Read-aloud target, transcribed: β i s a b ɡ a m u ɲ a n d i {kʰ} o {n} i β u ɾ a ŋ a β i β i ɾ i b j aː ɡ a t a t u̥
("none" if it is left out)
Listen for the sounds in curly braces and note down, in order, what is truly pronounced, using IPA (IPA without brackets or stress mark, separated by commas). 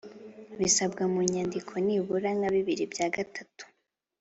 kʰ, n